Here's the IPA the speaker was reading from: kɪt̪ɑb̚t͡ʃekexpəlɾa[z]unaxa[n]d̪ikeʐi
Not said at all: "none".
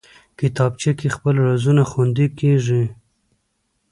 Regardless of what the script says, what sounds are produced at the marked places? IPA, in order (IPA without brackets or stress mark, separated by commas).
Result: z, n